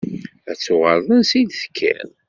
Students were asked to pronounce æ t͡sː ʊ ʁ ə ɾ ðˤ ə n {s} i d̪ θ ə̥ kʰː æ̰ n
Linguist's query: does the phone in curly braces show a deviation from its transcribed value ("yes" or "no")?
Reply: no